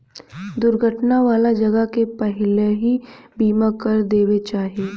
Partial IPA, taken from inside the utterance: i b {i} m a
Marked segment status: incorrect: iː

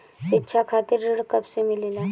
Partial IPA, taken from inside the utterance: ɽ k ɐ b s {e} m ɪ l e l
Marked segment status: correct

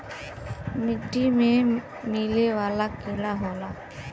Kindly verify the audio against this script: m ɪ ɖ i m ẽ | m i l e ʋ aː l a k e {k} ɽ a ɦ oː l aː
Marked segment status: incorrect: none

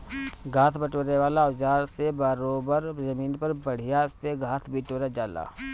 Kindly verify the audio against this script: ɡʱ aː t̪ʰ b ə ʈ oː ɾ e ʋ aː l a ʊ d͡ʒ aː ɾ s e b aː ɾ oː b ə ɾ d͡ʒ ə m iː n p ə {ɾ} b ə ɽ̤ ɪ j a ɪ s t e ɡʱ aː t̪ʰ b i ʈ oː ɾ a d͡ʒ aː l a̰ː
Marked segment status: correct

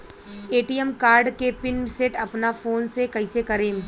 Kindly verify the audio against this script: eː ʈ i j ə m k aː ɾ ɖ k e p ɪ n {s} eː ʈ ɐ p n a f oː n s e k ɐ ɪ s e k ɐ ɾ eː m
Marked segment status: correct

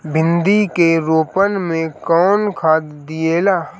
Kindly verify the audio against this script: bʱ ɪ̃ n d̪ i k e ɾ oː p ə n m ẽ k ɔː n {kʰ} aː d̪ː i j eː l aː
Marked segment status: correct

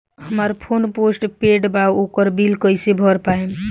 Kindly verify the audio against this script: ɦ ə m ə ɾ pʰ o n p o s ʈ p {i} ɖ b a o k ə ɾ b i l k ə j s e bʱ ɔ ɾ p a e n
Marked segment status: incorrect: e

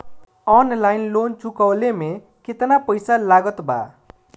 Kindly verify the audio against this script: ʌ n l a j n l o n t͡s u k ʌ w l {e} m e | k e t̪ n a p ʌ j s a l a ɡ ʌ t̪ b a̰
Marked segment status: correct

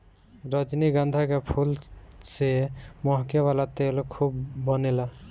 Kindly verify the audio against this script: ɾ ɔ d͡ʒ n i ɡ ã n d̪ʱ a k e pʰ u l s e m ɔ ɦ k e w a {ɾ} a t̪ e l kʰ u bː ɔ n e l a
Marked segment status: incorrect: l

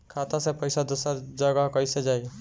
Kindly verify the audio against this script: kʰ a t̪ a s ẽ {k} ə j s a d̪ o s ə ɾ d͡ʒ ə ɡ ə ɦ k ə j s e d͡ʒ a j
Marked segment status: incorrect: p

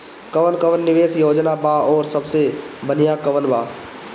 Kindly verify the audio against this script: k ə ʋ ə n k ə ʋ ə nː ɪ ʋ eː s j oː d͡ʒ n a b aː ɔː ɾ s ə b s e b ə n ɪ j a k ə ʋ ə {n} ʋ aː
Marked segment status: correct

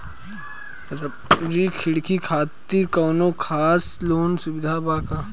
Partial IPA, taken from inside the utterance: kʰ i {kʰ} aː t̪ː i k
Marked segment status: correct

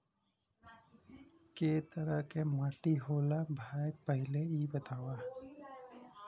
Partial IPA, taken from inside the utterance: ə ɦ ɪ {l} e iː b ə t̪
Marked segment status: correct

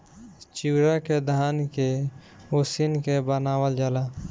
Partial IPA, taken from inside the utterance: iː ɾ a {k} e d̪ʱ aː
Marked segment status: correct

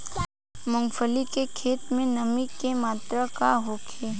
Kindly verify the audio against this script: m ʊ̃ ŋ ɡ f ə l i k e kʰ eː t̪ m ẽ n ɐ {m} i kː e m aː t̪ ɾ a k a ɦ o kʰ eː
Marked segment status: correct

